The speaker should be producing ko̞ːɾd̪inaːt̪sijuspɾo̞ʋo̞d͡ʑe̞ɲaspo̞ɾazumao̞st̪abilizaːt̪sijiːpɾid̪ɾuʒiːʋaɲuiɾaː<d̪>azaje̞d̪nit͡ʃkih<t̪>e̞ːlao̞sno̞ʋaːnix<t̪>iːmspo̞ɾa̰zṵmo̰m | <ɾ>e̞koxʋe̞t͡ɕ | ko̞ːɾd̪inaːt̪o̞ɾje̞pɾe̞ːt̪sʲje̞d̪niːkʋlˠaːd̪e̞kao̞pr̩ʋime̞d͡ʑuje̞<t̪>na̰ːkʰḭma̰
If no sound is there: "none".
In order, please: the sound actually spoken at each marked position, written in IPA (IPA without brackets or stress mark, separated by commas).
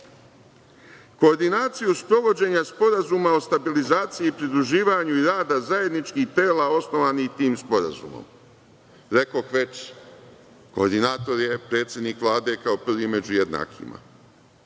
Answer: d̪, t̪, t̪, ɾ, d̪